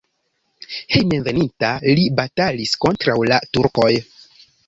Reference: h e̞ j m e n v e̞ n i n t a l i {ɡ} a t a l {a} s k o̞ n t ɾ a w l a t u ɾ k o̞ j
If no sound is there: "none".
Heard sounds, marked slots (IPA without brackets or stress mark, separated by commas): b, i